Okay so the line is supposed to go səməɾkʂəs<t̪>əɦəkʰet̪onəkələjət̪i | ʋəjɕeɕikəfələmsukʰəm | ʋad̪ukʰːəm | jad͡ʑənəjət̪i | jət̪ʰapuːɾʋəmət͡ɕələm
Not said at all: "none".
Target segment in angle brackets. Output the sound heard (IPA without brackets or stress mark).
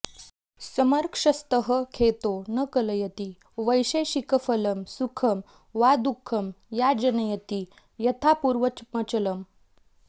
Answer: t̪